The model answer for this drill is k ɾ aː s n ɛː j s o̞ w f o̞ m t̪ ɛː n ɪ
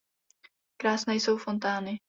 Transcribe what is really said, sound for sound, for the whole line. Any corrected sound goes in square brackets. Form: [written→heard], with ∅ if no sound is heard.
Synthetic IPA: k ɾ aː s n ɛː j s o̞ w f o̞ [m→n] t̪ [ɛː→aː] n ɪ